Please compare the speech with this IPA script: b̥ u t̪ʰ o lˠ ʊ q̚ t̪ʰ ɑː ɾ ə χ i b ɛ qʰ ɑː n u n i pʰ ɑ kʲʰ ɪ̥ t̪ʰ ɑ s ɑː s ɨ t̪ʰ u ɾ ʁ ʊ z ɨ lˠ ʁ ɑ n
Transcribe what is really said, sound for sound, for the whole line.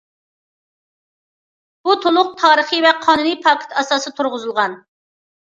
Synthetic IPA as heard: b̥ u t̪ʰ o lˠ ʊ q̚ t̪ʰ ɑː ɾ ə χ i v ɛ qʰ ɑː n u n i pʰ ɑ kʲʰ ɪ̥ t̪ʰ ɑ s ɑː s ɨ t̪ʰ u ɾ ʁ ʊ z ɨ lˠ ʁ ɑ n